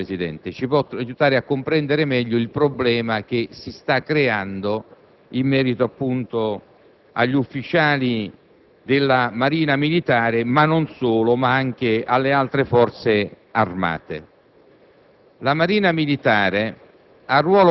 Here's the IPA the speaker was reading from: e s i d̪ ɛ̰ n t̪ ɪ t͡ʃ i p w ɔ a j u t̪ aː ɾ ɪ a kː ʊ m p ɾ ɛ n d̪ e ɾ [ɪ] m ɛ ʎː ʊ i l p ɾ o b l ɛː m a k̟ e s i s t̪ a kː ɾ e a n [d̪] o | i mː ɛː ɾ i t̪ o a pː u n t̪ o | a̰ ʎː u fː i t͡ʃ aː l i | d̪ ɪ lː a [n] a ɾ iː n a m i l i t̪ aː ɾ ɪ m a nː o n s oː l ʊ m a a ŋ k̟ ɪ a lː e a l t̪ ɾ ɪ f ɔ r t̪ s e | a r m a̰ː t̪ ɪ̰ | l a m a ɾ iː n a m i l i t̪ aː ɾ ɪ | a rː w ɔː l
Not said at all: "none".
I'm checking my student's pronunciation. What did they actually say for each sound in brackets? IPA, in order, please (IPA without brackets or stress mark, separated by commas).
ɪ, d̪, m